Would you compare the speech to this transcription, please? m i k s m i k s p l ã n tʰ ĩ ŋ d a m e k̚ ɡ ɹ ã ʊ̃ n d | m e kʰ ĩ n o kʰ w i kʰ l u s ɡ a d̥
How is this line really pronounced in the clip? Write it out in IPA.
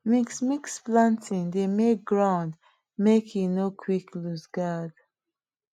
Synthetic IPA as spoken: m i k s m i k s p l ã n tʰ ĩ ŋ d e m e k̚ ɡ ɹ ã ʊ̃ n d | m e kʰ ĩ n o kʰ w i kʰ l u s ɡ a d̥